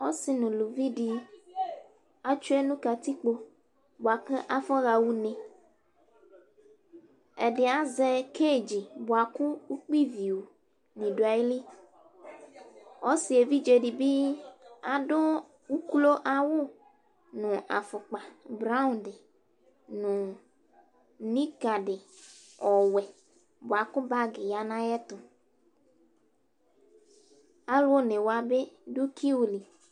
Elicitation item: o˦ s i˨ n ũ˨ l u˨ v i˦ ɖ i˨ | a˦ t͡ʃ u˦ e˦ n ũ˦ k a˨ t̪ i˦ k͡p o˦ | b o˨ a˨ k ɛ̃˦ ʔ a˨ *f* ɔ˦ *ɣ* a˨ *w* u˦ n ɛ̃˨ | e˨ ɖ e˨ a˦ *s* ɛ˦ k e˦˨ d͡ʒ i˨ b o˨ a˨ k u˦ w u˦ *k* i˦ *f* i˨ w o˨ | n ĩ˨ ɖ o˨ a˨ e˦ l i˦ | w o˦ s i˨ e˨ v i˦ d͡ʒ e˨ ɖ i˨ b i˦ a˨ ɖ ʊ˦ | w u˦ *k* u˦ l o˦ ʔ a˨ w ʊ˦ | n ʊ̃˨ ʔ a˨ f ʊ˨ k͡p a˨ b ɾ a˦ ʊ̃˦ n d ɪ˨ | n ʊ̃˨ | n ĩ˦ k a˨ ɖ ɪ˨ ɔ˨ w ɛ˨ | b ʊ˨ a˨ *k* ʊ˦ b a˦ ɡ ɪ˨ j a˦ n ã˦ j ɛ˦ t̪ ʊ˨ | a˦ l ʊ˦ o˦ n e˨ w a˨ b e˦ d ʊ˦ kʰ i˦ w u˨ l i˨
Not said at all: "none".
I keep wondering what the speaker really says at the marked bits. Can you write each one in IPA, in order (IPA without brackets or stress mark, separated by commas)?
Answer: f, ɣ, w, z, k͡p, v, k, k